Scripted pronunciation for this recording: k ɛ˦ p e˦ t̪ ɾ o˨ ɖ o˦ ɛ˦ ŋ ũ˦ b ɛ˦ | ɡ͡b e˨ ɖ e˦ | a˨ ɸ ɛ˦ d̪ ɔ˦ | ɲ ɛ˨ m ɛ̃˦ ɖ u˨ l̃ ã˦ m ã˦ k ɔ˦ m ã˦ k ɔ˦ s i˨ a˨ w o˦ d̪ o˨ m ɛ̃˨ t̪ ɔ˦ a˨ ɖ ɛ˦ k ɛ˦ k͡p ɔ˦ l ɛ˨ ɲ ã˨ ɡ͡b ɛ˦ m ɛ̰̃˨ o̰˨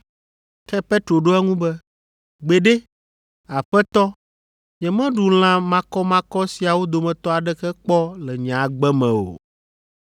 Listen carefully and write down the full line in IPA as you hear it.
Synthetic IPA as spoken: k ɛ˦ p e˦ t̪ ɾ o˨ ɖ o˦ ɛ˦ ŋ ũ˦ b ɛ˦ | ɡ͡b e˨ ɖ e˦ | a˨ ɸ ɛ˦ t̪ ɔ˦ | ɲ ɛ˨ m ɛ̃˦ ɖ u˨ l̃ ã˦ m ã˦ k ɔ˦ m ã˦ k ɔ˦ s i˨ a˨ w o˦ d̪ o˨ m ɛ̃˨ t̪ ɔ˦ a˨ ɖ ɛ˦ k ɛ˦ k͡p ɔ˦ l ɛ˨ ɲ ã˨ ɡ͡b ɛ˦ m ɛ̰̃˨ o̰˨